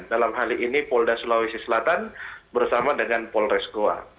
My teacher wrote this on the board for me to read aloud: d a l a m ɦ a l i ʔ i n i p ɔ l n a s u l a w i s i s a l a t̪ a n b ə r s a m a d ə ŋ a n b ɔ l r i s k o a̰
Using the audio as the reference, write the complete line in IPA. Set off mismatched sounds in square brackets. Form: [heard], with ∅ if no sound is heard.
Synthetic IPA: d a l a m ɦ a l i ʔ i n i p ɔ l [d] a s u l a w i s i s [ə] l a t̪ a n b ə r s a m a d ə ŋ a n [p] ɔ l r [ɛ] s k o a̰